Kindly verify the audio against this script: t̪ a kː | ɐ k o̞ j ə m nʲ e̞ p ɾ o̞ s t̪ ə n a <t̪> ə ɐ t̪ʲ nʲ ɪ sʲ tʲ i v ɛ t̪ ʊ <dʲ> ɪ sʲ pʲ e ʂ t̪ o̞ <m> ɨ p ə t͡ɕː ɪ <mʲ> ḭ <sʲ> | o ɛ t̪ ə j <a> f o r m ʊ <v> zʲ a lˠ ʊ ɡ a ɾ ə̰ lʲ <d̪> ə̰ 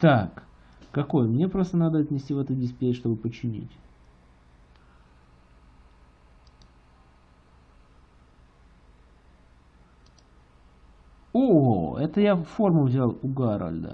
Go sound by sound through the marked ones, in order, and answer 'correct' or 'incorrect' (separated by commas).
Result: incorrect, correct, incorrect, incorrect, incorrect, correct, correct, correct